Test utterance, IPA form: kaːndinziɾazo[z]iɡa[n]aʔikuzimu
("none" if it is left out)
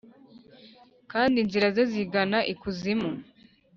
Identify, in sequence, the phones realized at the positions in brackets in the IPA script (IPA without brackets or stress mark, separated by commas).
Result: z, n